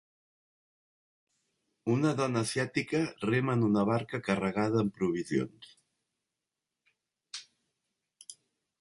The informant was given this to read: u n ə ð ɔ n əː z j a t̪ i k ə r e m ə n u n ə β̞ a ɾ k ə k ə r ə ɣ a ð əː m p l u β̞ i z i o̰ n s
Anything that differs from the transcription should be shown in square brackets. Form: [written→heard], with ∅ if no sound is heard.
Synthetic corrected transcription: u n ə ð ɔ n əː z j a t̪ i k ə r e m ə n u n ə β̞ a ɾ k ə k ə r ə ɣ a ð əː m p [l→ɾ] u β̞ i z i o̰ n s

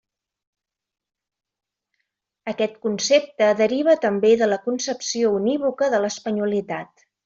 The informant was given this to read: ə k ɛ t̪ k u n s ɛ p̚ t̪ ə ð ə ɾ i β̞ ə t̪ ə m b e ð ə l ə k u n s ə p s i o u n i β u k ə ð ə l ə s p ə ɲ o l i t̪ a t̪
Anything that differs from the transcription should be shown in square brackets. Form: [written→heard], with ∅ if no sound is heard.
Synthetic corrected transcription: ə k ɛ t̪ k u n s [ɛ→e] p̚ t̪ ə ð ə ɾ i β̞ ə t̪ ə m b e ð ə l ə k u n s ə p s i o u n i β u k ə ð ə l ə s p ə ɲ [o→u] l i t̪ a t̪

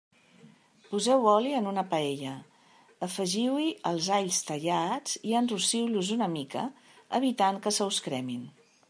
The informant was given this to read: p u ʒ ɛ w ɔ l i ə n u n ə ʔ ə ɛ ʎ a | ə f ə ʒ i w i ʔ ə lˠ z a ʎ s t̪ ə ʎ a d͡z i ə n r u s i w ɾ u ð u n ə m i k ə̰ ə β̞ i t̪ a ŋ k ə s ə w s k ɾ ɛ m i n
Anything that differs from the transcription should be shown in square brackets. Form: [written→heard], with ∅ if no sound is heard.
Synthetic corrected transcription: p u [ʒ→z] ɛ w ɔ l i ə n u n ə [ʔ→p] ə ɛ ʎ [a→ə] | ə f ə ʒ i w i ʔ ə lˠ z a ʎ s t̪ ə ʎ a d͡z i ə n r u s i w [ɾ→l] u [ð→z] u n ə m i k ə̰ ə β̞ i t̪ a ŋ k ə s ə w s k ɾ ɛ m i n

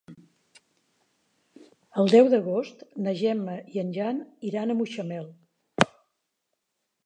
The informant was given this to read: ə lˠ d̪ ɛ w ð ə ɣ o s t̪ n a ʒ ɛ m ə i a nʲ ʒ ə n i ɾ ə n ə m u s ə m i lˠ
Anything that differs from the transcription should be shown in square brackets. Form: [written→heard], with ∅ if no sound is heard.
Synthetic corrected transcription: ə lˠ d̪ ɛ w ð ə ɣ o s t̪ n [a→ə] ʒ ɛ m ə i [a→ə] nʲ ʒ [ə→a] n i ɾ [ə→a] n ə m u [s→ʃ] ə m [i→ɛ] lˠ

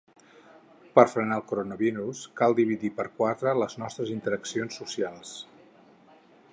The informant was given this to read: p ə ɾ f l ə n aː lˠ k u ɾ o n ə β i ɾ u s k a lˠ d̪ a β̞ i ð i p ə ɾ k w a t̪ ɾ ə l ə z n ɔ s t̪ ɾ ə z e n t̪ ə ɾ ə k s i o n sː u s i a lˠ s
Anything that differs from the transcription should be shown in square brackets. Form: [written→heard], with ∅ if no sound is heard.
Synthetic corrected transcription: p ə ɾ f [l→ɾ] ə n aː lˠ k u ɾ o n ə β i ɾ u s k a lˠ d̪ [a→i] β̞ i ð i p ə ɾ k w a t̪ ɾ ə l ə z n ɔ s t̪ ɾ ə z [e→i] n t̪ ə ɾ ə k s i o n sː u s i a lˠ s

